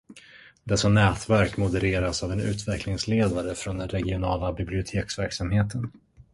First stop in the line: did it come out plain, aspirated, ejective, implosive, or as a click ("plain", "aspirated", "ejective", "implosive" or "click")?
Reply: plain